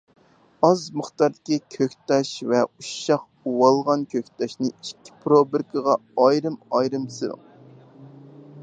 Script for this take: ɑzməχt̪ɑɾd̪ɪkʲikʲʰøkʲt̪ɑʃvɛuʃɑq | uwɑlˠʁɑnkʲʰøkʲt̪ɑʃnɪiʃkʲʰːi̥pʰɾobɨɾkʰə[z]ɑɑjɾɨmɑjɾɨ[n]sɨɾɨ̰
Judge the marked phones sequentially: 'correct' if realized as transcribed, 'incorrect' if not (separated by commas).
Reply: incorrect, incorrect